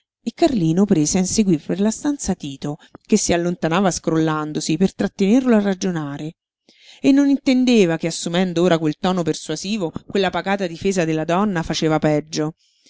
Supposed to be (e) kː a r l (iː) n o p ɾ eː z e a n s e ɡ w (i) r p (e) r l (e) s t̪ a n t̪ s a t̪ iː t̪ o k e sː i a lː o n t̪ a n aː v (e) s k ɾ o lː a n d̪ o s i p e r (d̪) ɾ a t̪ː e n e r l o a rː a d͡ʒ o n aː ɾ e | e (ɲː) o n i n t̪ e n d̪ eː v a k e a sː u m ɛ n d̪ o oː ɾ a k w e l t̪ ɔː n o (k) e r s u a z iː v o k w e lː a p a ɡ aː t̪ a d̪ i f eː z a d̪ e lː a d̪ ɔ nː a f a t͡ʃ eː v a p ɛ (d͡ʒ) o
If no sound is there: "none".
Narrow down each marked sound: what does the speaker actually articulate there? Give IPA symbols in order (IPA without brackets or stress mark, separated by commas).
e, iː, i, e, a, a, t̪, nː, p, d͡ʒː